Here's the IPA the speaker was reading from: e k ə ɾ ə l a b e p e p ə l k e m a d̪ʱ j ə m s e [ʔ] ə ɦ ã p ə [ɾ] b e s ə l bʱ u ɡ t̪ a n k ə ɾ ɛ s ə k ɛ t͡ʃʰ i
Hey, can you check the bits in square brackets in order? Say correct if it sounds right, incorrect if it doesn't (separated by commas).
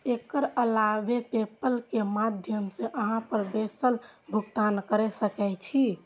correct, correct